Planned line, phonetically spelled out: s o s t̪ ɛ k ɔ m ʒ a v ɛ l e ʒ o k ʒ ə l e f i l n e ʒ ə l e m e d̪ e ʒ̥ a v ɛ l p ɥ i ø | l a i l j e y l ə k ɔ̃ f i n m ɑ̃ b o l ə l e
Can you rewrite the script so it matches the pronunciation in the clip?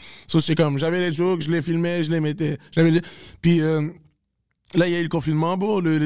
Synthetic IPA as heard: s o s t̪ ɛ k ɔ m ʒ a v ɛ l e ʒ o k ʒ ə l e f i l m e ʒ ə l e m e t̪ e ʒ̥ a v ɛ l p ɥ i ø | l a i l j a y l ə k ɔ̃ f i n m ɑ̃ b o l ə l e